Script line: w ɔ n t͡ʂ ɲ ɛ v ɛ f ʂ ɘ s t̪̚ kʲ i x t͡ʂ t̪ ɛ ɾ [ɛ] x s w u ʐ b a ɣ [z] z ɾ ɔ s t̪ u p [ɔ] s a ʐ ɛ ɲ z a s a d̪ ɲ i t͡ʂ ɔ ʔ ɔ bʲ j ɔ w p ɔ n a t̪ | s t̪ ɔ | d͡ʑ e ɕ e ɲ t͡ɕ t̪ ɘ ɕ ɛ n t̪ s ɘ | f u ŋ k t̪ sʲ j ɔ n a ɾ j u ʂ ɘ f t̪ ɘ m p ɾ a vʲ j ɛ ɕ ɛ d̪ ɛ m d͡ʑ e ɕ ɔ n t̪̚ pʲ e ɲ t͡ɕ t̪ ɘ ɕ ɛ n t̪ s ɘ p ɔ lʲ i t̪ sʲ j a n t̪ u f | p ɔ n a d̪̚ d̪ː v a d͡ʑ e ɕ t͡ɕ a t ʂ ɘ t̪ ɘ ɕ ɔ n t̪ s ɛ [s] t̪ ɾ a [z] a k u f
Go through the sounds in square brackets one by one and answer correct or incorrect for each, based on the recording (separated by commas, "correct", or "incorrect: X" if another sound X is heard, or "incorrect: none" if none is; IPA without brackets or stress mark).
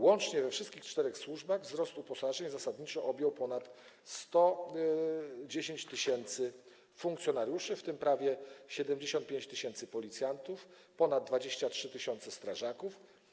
correct, incorrect: v, correct, correct, incorrect: ʐ